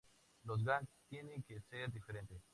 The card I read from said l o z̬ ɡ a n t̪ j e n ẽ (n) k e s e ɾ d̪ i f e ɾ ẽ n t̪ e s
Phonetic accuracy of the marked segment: incorrect: ŋ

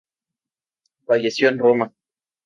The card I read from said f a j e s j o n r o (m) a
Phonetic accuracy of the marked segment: correct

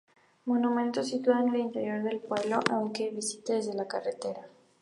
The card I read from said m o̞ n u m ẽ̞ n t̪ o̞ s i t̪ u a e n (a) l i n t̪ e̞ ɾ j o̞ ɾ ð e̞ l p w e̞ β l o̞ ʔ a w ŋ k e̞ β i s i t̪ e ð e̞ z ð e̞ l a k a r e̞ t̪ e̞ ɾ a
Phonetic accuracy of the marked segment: incorrect: e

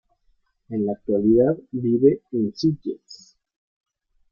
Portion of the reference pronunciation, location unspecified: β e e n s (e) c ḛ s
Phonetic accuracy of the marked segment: incorrect: i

